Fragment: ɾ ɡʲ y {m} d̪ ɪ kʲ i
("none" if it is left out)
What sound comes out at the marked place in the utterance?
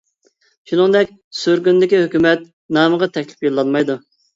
n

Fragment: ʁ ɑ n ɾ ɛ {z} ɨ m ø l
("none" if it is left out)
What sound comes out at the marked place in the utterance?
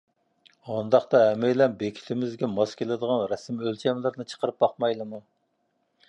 s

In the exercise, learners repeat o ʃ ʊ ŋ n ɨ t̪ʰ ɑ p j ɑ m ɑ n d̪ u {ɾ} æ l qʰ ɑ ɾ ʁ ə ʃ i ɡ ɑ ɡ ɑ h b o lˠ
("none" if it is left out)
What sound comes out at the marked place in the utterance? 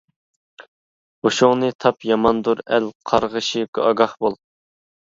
ɾ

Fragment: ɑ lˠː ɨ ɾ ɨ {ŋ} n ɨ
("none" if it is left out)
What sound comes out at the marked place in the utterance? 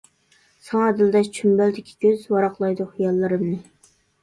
m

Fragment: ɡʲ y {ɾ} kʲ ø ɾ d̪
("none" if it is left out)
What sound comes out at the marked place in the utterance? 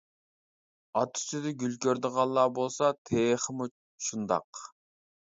l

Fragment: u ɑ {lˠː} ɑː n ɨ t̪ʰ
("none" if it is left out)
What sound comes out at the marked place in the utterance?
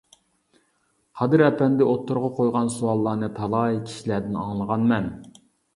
lˠː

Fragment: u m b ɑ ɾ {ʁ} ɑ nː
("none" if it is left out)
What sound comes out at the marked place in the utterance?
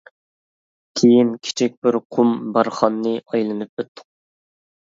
χ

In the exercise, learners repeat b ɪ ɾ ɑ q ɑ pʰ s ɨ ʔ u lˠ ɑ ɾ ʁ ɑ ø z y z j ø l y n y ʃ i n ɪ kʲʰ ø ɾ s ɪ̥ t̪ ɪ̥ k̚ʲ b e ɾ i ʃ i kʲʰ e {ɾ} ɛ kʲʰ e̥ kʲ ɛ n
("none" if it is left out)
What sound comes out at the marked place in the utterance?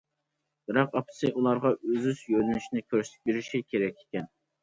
ɾ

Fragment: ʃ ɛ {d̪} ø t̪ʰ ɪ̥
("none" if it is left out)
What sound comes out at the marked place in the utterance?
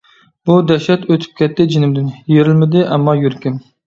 t̪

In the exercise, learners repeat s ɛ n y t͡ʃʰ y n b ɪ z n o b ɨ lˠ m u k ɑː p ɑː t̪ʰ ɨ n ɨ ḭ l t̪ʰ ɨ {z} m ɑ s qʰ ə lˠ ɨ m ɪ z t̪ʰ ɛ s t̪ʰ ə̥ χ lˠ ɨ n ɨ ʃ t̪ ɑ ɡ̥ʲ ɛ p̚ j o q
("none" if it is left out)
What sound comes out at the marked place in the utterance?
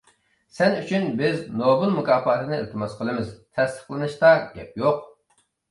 none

